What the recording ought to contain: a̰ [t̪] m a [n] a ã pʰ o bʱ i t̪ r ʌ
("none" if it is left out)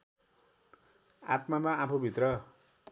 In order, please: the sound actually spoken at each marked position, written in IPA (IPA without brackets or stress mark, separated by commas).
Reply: t̪, m